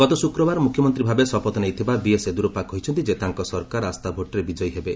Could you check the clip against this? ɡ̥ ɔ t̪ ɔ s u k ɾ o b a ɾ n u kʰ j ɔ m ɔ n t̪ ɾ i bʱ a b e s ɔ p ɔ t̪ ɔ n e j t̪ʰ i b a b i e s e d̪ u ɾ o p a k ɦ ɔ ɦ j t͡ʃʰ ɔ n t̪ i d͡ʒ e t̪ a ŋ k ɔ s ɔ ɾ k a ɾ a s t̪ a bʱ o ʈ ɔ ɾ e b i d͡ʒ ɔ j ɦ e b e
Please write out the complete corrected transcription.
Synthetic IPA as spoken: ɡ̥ ɔ t̪ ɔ s u k ɾ ɔ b a ɾ m u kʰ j ɔ m ɔ n t̪ ɾ i bʱ a b e s ɔ p ɔ t̪ ɔ n e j t̪ʰ i b a b i e s e d̪ u ɾ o p a k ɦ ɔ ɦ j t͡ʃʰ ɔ n t̪ i d͡ʒ e t̪ a ŋ k ɔ s ɔ ɾ k a ɾ a s t̪ a bʱ o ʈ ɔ ɾ e b i d͡ʒ ɔ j ɦ e b e